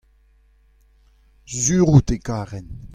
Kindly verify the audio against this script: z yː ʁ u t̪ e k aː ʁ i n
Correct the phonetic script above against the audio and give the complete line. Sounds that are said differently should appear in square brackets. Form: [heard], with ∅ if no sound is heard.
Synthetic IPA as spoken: z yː ʁ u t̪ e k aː ʁ [ɛ] n